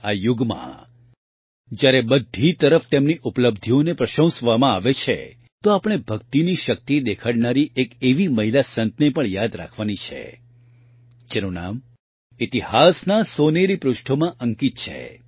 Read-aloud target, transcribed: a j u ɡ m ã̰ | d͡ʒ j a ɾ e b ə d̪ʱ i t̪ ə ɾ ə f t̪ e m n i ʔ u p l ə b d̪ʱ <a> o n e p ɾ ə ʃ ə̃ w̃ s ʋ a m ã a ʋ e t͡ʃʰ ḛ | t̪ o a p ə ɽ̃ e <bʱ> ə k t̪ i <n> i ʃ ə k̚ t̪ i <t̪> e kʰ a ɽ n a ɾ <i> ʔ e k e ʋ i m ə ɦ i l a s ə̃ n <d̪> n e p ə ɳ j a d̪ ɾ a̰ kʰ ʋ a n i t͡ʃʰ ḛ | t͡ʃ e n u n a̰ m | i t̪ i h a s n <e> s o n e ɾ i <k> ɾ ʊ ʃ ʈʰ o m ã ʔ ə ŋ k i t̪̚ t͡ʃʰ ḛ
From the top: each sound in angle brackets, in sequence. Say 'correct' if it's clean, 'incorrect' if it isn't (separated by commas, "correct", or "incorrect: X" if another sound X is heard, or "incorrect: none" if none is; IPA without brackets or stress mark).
incorrect: i, correct, correct, incorrect: d̪, correct, incorrect: t̪, incorrect: a, incorrect: p